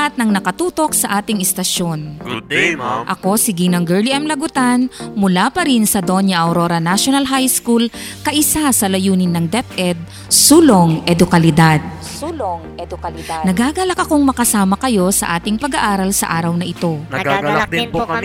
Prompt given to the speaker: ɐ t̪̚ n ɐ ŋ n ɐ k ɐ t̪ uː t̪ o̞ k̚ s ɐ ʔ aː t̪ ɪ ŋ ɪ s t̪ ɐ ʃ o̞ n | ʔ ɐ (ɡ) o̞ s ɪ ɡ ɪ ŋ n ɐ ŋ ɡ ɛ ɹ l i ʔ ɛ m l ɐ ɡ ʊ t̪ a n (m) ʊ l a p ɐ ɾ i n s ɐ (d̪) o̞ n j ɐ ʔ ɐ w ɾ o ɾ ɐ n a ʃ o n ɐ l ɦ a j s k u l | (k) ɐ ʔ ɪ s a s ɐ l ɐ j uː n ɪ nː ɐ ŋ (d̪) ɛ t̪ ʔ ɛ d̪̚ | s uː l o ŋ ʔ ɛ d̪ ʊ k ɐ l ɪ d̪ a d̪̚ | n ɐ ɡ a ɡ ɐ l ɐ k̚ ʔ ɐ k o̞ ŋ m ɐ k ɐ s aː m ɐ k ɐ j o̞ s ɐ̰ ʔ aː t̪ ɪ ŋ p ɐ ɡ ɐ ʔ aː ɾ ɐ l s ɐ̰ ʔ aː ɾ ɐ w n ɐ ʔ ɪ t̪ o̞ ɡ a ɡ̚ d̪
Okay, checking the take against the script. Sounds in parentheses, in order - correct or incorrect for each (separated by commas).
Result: incorrect, correct, correct, correct, correct